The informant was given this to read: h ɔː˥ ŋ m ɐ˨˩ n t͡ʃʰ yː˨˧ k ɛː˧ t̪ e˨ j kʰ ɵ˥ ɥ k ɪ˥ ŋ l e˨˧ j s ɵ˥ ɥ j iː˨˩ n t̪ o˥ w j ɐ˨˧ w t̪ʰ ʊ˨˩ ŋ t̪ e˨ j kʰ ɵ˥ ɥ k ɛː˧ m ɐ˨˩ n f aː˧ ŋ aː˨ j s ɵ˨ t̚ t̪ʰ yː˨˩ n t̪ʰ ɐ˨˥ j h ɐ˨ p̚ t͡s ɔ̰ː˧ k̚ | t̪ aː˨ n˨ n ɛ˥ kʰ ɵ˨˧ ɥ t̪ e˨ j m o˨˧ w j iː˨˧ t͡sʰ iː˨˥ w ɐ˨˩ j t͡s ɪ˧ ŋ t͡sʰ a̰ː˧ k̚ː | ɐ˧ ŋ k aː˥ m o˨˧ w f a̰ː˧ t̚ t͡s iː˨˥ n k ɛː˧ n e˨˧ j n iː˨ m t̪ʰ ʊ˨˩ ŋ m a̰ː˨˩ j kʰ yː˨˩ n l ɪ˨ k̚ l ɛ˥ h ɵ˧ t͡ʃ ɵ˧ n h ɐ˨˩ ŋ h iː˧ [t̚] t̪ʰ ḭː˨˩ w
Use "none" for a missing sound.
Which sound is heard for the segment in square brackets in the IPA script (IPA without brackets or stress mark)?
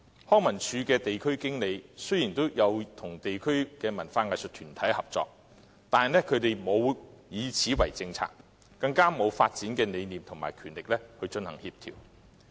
p̚